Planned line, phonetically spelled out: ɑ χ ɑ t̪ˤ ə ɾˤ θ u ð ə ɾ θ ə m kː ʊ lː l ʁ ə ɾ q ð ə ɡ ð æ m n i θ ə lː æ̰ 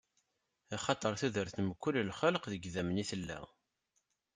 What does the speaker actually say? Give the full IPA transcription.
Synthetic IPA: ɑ χ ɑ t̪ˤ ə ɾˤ θ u ð ə ɾ θ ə m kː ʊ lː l χ ə l q ð ə ɡ ð æ m n i θ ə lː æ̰